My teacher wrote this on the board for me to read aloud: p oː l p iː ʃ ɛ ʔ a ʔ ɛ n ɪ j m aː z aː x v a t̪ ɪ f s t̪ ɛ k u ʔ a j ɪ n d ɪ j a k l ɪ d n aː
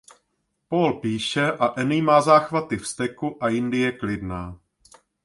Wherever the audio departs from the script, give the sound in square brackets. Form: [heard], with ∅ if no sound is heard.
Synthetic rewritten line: p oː l p iː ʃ ɛ ʔ a ʔ ɛ n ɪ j m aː z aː x v a t̪ ɪ f s t̪ ɛ k u ʔ a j ɪ n d ɪ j [ɛ] k l ɪ d n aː